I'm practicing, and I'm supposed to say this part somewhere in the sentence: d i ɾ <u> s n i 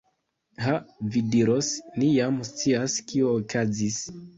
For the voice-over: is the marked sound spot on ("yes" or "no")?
no